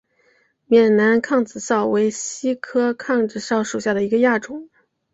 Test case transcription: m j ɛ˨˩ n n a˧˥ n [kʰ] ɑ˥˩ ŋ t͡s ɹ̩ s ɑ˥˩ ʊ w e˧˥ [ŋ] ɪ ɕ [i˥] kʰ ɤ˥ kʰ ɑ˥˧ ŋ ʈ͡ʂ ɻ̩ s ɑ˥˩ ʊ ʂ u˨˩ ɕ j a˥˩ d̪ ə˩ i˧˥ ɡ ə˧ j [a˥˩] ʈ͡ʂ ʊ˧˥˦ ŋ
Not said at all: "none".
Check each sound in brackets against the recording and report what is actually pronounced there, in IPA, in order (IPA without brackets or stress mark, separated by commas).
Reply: kʰ, none, i˥, a˥˩